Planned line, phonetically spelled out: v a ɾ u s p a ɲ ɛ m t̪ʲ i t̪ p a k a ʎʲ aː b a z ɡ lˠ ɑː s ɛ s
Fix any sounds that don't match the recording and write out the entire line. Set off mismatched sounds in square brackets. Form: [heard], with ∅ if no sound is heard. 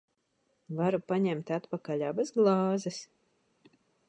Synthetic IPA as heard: v a ɾ u [∅] p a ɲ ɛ m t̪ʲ [a] t̪ p a k a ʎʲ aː b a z ɡ lˠ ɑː [z] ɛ s